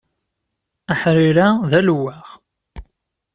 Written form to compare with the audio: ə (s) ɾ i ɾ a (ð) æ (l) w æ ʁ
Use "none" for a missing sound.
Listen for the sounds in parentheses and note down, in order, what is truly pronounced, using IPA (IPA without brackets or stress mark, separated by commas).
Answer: ħ, ð, l